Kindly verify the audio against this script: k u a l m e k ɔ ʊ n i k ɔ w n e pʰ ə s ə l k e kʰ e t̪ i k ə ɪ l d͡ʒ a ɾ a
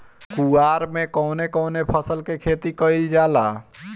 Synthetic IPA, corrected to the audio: k u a ɾ m e k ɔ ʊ n e k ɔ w n e pʰ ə s ə l k e kʰ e t̪ i k ə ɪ l d͡ʒ a l a